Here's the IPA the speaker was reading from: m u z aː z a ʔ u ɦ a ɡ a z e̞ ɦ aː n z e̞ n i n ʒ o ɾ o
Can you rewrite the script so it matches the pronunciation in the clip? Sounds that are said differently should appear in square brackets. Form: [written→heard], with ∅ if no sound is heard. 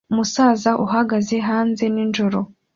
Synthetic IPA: m u [z→s] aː z a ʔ u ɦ a ɡ a z e̞ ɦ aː n z e̞ n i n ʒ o ɾ o